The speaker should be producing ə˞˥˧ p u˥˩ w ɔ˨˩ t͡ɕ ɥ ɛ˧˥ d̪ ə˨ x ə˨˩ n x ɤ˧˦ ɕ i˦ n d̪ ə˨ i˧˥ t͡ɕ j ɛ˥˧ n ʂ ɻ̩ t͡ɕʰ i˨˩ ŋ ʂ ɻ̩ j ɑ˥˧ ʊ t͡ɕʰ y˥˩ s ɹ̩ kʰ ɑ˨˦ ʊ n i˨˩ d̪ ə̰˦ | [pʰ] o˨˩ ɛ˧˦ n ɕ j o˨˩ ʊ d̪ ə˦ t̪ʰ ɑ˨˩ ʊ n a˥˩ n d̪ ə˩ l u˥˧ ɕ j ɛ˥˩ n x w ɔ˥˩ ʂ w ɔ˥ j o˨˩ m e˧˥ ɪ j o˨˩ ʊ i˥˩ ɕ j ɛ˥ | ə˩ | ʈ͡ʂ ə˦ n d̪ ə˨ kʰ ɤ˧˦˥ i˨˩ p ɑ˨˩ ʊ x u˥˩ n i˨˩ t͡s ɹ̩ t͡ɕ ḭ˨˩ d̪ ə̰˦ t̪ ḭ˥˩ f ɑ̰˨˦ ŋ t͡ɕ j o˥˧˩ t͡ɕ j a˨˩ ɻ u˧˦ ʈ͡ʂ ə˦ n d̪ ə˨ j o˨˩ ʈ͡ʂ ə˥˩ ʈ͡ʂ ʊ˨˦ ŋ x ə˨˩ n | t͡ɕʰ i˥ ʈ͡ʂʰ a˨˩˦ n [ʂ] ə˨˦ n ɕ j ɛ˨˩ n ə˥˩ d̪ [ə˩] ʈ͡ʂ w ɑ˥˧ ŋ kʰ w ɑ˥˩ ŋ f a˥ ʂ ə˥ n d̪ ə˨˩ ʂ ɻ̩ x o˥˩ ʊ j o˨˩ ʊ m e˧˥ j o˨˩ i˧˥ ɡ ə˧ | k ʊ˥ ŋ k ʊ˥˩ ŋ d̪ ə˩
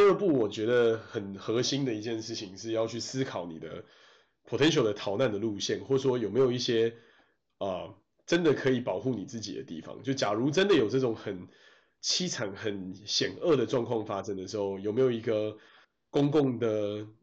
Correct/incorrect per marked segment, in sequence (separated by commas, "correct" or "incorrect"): correct, incorrect, correct